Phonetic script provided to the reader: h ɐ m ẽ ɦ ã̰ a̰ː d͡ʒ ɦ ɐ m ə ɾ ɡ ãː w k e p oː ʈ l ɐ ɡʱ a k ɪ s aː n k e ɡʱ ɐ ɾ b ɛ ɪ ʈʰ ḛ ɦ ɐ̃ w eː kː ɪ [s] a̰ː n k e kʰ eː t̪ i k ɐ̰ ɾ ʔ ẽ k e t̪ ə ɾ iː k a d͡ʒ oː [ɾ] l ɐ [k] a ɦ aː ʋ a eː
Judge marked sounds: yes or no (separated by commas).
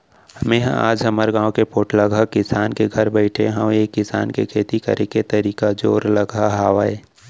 yes, yes, no